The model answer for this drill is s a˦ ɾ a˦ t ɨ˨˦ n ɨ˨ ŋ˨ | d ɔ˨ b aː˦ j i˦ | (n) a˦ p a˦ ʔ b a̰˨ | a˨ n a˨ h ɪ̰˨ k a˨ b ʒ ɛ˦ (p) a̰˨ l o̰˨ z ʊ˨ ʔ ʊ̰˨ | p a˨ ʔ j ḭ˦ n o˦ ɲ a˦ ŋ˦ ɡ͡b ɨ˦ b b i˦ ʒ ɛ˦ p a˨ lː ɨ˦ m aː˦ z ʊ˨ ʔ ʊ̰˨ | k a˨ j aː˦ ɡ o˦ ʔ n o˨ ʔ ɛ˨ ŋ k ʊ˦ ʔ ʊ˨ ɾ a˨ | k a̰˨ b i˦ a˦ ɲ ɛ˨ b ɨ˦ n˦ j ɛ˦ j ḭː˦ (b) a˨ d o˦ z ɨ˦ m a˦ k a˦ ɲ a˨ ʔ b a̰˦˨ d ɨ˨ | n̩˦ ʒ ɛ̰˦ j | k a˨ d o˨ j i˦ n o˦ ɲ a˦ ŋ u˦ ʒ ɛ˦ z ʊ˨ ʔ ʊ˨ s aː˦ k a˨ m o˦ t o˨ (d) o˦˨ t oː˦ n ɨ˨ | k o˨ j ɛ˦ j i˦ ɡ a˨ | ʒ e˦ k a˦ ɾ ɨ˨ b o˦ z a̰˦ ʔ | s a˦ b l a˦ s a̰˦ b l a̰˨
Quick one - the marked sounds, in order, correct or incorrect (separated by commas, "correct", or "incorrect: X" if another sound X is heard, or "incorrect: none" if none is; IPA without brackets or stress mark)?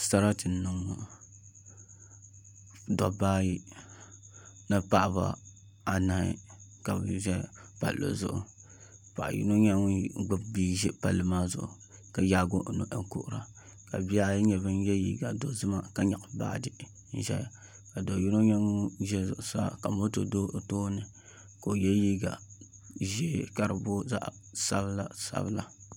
correct, correct, incorrect: ɡ, correct